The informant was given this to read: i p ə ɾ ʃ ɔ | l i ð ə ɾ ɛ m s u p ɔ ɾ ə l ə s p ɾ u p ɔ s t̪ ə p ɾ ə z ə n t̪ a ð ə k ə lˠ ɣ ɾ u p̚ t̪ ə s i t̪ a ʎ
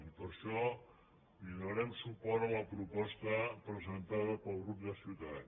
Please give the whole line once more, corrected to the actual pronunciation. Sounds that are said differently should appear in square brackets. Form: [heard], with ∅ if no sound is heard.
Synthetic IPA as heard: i p ə ɾ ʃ ɔ | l i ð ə ɾ ɛ m s u p ɔ ɾ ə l ə [∅] p ɾ u p ɔ s t̪ ə p ɾ ə z ə n t̪ a ð ə [p] ə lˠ ɣ ɾ u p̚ [d̪] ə s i t̪ a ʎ

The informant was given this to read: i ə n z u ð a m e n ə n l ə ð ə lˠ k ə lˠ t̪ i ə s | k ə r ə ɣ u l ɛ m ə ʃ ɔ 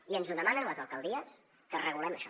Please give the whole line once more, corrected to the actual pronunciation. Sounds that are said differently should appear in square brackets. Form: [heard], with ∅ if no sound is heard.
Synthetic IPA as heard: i ə n z u ð [ə] m [a] n ə n l ə [z] ə lˠ k ə lˠ [d̪] i ə s | k ə r ə ɣ u l ɛ m ə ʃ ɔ

